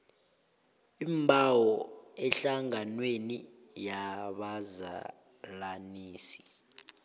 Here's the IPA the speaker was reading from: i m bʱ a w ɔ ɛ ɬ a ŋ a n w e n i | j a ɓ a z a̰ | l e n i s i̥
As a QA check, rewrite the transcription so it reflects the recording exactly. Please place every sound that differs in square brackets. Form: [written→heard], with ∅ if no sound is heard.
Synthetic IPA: i m bʱ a w ɔ ɛ ɬ a ŋ a n w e n i | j a ɓ a z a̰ | l [e→a] n [i→iː] s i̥